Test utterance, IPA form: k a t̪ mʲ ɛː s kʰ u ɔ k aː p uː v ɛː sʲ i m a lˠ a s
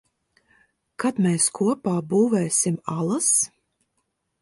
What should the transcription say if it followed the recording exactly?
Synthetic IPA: k a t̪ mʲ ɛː s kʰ u ɔ p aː b uː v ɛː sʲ i m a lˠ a s